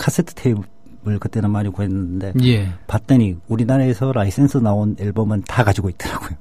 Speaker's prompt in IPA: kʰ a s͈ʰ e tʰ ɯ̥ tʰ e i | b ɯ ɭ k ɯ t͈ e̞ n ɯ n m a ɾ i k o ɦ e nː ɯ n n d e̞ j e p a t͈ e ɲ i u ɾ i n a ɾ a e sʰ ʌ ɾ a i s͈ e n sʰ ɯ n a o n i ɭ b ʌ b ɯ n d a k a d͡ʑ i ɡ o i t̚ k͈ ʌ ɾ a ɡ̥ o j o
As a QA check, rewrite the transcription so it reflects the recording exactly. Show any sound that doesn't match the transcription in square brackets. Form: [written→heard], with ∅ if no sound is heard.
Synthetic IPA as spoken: kʰ a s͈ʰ e tʰ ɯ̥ tʰ e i | b ɯ ɭ k ɯ t͈ e̞ n ɯ n m a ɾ i k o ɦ e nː ɯ n n d e̞ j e p a t͈ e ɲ i u ɾ i n a ɾ a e sʰ ʌ ɾ a i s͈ e n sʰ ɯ n a o n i ɭ b ʌ [b→m] ɯ n [d→t] a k a d͡ʑ i ɡ o i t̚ [k͈→t͈] ʌ ɾ a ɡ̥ o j o